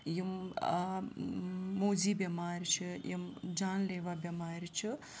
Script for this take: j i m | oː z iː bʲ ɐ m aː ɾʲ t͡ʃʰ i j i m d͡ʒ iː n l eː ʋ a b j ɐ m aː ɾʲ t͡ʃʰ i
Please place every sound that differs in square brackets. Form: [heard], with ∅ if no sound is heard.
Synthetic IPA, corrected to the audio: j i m | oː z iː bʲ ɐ m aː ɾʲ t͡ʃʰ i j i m d͡ʒ [aː] n l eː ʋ a b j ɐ m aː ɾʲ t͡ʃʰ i